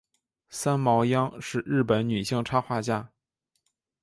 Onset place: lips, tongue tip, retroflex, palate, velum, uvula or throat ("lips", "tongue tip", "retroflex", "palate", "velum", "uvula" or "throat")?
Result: tongue tip